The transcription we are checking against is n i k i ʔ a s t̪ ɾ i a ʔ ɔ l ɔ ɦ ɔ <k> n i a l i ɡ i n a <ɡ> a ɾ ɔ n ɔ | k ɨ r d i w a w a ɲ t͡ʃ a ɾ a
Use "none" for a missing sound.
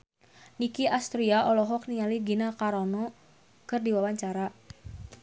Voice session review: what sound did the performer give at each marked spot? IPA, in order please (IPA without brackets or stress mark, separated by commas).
k, k